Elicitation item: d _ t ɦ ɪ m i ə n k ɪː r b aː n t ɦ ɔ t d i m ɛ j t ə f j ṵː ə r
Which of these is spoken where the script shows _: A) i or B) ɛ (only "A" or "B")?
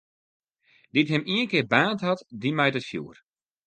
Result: A